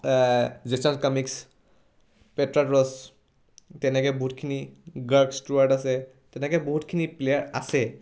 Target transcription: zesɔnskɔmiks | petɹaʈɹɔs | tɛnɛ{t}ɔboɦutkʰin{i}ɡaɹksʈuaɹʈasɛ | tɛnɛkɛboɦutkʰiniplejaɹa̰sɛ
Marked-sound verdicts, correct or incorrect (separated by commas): incorrect, correct